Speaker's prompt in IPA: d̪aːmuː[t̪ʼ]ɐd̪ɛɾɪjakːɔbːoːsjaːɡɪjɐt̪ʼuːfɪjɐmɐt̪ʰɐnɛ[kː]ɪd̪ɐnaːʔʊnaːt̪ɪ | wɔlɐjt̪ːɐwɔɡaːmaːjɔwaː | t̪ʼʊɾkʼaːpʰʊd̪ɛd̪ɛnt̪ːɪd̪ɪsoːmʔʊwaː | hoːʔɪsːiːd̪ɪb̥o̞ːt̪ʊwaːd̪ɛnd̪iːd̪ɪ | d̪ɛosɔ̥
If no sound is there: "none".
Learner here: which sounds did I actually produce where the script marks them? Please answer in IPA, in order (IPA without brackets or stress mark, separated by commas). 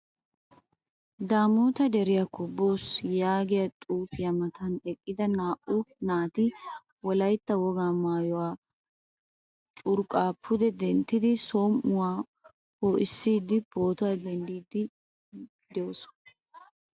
t̪, kʼː